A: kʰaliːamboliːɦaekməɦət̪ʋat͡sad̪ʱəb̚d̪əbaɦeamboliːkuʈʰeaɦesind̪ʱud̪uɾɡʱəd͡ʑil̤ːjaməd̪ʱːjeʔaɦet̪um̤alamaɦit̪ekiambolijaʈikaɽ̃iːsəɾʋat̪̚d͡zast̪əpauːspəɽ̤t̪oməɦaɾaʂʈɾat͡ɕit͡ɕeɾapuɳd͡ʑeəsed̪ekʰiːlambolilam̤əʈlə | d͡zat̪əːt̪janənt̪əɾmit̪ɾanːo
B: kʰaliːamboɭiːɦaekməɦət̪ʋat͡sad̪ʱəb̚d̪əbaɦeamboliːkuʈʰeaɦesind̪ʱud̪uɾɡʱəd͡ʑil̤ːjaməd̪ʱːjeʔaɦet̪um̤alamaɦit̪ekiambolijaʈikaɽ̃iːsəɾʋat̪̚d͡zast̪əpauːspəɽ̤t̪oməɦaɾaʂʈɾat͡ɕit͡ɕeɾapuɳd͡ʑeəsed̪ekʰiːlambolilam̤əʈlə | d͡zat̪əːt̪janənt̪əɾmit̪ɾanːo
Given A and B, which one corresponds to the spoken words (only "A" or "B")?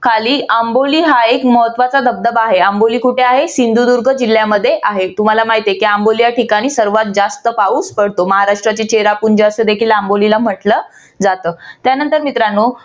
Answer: A